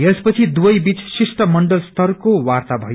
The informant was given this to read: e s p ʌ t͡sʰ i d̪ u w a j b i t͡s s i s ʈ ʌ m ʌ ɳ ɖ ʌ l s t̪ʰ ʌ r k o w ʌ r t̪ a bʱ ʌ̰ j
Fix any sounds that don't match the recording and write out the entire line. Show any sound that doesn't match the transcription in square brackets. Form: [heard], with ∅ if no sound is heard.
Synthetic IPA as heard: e s p ʌ t͡sʰ i d̪ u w [ʌ] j b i t͡s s i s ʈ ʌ m ʌ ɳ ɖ ʌ l s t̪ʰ ʌ r k o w [a] r t̪ a bʱ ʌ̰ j